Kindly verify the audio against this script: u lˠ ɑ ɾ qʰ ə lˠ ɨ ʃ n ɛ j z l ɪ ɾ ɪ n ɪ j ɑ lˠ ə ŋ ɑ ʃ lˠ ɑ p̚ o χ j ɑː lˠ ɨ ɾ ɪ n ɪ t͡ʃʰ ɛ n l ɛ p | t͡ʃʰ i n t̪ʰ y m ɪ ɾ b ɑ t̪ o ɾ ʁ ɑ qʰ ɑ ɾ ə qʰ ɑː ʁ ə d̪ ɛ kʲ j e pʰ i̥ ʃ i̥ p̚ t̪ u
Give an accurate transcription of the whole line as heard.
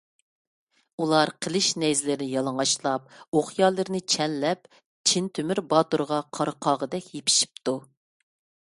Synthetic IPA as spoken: u lˠ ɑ ɾ qʰ ə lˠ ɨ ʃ n ɛ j z l ɪ ɾ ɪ n ɪ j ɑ lˠ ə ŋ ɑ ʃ lˠ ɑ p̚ o χ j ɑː lˠ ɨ ɾ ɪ n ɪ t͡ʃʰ ɛ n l ɛ p | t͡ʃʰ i n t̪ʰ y m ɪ ɾ b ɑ t̪ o ɾ ʁ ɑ qʰ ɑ ɾ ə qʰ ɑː ʁ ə d̪ ɛ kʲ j e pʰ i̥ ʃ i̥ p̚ t̪ u